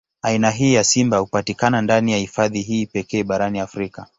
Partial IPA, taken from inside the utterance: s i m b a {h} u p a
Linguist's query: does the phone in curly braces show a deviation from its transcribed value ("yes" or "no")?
no